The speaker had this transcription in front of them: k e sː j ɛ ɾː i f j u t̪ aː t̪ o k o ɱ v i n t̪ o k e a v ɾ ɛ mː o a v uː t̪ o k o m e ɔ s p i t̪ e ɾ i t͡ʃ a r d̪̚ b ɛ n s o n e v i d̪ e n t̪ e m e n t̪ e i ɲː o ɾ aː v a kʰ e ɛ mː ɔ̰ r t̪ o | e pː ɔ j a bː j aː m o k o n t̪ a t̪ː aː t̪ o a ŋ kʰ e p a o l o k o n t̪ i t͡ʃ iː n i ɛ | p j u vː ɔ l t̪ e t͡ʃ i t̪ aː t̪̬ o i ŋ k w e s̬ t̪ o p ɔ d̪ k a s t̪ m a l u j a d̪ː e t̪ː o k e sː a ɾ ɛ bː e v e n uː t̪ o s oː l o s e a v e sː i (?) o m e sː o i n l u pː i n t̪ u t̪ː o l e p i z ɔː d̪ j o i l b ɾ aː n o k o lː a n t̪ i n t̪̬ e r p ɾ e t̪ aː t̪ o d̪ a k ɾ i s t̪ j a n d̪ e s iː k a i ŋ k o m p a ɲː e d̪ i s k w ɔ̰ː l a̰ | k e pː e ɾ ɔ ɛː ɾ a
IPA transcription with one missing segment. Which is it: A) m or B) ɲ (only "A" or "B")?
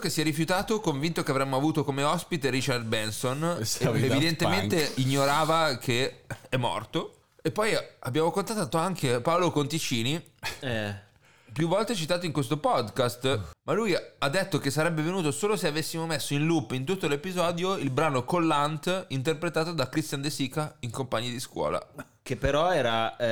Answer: A